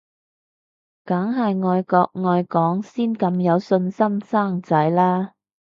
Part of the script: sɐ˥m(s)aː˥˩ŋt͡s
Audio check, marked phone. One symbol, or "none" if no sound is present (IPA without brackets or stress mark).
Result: s